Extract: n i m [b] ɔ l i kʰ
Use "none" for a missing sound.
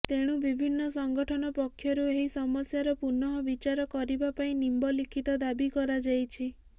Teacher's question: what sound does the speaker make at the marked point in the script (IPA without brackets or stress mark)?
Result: b